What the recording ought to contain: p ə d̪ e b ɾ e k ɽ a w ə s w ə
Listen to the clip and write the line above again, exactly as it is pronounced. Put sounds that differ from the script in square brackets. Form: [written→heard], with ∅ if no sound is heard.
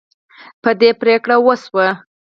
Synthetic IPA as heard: p ə d̪ e [b→p] ɾ e k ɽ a w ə s w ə